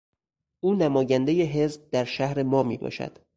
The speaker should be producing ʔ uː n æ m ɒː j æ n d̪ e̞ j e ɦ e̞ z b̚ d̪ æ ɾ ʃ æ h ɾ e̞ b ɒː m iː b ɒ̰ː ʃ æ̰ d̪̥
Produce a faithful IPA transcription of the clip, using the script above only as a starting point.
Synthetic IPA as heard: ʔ uː n æ m ɒː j æ n d̪ e̞ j e ɦ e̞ z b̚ d̪ æ ɾ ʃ æ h ɾ e̞ m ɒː m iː b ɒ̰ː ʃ æ̰ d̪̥